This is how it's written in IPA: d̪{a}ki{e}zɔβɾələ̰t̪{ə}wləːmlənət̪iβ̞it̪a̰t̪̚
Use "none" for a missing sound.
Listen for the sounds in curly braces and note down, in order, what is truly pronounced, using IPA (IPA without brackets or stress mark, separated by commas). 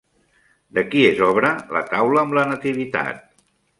ə, e, a